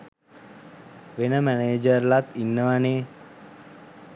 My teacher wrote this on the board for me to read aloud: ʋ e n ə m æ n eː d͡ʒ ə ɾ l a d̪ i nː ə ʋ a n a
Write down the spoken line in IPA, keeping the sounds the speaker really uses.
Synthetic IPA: ʋ e n ə m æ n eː d͡ʒ ə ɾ l a t̪ i nː ə ʋ a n e